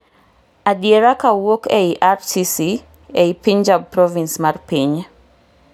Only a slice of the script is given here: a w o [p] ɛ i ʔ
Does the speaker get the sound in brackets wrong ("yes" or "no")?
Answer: yes